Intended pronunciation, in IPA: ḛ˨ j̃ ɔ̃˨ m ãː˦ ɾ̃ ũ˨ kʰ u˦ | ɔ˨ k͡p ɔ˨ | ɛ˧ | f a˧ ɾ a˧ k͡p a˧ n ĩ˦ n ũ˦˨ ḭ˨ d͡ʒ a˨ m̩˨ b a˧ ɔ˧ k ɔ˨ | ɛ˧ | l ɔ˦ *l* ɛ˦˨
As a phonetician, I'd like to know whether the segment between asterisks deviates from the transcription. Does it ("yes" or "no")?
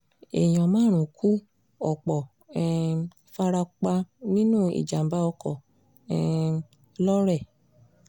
yes